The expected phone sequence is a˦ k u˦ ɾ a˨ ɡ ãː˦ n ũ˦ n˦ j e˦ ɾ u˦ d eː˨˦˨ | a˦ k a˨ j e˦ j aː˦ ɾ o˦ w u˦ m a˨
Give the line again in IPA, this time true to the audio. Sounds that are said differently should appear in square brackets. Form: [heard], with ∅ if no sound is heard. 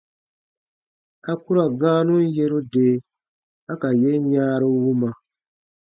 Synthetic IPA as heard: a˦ k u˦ ɾ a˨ ɡ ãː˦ n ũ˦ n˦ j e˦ ɾ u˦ d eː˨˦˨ | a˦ k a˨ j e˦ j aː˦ ɾ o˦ w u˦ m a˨